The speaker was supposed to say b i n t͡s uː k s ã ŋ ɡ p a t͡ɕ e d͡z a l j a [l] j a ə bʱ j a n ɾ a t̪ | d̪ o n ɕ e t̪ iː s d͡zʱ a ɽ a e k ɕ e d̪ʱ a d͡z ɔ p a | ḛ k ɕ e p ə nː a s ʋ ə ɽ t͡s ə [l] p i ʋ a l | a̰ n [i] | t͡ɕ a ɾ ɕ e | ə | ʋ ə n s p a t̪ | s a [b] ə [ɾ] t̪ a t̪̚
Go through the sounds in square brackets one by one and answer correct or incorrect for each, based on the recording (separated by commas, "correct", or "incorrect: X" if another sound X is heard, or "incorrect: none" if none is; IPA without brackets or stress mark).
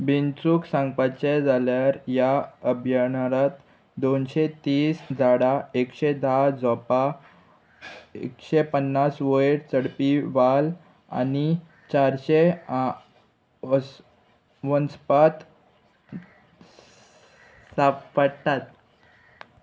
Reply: incorrect: ɾ, incorrect: ɽ, correct, incorrect: p, incorrect: ɽ